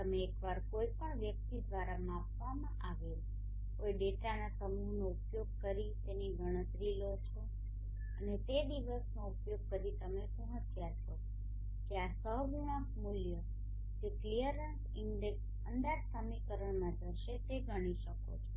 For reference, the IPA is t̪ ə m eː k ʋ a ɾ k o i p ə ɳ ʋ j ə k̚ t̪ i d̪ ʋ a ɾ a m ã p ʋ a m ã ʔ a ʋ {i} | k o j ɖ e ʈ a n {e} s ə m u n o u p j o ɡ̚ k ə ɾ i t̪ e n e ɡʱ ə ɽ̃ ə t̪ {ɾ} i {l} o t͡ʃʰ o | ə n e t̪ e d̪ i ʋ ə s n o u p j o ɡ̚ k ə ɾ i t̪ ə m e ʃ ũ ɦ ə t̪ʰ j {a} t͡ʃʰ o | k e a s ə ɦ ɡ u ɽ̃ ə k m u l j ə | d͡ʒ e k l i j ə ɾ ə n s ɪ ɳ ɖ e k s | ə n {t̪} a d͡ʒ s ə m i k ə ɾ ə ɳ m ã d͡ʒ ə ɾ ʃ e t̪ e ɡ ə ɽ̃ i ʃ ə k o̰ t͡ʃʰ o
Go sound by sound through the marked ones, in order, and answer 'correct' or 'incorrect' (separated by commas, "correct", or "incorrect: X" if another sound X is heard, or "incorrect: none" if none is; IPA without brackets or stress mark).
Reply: incorrect: e, incorrect: a, correct, correct, correct, incorrect: d̪